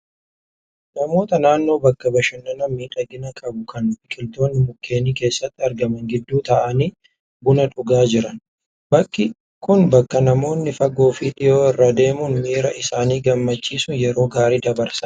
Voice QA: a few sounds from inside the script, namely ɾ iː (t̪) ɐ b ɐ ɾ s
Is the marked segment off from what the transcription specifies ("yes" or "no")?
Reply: yes